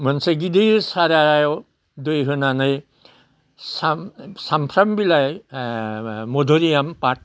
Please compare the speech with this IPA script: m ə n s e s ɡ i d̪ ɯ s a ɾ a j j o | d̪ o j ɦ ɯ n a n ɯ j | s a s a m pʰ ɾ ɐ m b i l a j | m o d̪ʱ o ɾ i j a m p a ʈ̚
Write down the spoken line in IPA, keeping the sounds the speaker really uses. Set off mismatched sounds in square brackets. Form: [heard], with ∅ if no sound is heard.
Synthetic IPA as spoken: m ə n s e [∅] ɡ i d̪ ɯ s a ɾ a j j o | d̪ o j ɦ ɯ n a n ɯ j | s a s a m pʰ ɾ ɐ m b i l a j | m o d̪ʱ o ɾ i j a m p a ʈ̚